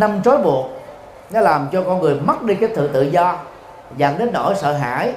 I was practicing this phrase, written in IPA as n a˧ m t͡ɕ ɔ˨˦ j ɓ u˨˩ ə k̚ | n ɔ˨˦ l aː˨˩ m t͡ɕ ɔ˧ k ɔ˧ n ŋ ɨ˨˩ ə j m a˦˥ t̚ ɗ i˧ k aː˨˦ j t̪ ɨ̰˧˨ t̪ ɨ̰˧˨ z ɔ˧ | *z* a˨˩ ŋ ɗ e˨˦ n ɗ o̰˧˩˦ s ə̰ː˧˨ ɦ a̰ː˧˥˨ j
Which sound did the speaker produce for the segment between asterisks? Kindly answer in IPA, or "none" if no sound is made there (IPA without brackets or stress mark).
z